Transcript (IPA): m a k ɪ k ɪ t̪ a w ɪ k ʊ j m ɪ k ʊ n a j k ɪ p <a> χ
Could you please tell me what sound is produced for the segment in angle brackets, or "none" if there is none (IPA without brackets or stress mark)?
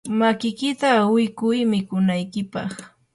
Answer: ɑ